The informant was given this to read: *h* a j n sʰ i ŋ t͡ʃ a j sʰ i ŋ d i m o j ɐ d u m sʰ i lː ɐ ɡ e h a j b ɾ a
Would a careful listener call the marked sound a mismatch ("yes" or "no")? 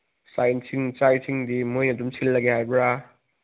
yes